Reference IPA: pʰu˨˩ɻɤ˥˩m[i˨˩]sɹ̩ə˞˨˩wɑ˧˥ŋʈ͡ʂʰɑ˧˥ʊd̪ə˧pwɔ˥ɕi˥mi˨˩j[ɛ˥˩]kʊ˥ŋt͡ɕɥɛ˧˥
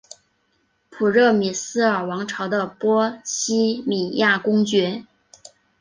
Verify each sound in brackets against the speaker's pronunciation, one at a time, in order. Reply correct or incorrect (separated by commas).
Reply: correct, incorrect